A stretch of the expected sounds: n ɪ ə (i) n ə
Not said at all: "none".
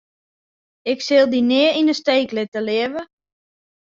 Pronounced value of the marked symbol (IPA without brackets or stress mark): i